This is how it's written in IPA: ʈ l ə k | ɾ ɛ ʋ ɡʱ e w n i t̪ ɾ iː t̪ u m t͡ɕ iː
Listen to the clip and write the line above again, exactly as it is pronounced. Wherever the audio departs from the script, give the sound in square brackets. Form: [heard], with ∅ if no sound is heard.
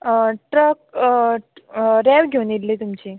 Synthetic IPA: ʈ [ɾ] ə k | ɾ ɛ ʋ ɡʱ e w n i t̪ [l] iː t̪ u m t͡ɕ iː